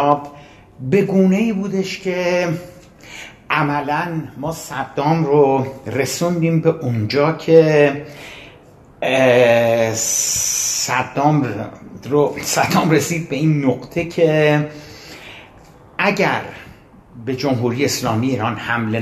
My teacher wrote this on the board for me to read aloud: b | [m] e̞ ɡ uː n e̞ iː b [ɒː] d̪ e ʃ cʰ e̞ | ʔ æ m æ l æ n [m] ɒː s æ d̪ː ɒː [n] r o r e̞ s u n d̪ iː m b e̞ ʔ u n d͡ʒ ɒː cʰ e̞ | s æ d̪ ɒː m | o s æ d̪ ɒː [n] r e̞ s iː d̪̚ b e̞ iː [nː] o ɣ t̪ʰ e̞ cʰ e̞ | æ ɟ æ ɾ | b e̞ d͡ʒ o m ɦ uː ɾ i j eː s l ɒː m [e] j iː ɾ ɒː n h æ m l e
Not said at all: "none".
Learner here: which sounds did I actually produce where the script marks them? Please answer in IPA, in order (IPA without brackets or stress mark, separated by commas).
b, uː, m, m, m, nː, i